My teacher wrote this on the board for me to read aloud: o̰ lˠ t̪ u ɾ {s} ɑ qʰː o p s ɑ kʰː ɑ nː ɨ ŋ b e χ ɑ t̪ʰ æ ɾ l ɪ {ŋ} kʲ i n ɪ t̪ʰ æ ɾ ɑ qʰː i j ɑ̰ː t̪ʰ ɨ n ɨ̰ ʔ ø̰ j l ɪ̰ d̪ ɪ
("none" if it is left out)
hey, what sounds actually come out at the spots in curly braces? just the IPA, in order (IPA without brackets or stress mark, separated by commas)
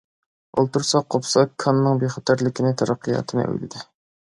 s, none